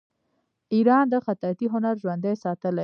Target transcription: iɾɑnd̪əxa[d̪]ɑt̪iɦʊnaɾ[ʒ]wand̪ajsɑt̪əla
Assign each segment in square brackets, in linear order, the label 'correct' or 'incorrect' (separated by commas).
incorrect, correct